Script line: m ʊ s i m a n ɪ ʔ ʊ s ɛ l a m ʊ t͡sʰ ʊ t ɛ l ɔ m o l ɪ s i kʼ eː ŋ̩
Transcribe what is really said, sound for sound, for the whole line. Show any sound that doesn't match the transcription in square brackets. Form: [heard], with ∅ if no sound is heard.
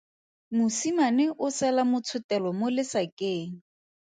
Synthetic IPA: m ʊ s i m a n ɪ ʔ ʊ s ɛ l a m ʊ t͡sʰ ʊ t ɛ l ɔ m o l ɪ s [a] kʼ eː ŋ̩